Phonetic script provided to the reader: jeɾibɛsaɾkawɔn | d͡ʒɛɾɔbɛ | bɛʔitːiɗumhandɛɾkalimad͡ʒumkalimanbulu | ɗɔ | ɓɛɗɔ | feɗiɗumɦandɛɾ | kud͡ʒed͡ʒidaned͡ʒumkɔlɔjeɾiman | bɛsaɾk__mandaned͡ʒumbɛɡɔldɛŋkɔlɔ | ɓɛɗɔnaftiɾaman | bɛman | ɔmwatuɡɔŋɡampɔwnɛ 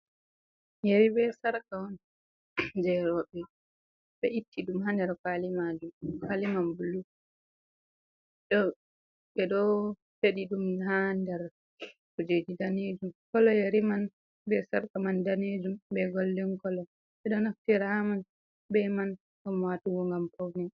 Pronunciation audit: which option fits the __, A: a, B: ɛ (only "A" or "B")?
A